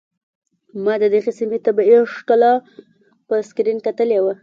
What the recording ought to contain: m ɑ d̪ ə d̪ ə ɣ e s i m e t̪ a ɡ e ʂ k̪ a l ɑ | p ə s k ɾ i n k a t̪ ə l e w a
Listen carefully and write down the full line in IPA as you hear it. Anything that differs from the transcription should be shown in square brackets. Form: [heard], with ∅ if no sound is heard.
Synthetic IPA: m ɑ d̪ ə d̪ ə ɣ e s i m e t̪ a [b] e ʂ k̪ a l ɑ | p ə s k ɾ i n k a t̪ ə l e w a